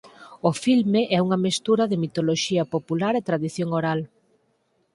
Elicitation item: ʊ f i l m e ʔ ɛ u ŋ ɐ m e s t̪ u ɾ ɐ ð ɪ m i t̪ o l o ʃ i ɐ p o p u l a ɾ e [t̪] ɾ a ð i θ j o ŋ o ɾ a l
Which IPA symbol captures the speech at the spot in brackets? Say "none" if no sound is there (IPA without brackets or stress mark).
t̪